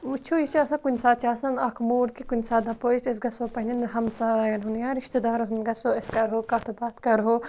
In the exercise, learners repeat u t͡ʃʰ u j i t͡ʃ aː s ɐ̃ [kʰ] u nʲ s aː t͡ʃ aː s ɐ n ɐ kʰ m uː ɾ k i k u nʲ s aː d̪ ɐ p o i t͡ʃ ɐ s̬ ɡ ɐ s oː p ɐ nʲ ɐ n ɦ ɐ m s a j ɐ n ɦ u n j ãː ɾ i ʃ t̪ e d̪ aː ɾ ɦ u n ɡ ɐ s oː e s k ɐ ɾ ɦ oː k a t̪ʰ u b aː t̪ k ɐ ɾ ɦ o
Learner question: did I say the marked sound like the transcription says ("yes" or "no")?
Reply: no